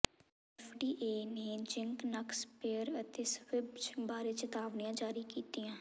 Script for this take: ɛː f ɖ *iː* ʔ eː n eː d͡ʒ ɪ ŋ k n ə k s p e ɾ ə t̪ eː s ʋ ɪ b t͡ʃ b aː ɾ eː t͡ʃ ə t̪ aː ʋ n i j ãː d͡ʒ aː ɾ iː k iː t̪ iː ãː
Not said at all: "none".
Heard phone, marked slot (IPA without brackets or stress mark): iː